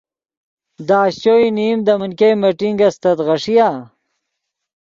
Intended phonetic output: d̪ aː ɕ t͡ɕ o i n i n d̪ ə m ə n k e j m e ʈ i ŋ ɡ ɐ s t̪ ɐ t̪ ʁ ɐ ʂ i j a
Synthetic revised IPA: d̪ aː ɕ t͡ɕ o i n i m d̪ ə m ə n k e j m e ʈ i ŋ ɡ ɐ s t̪ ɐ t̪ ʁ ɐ ʂ i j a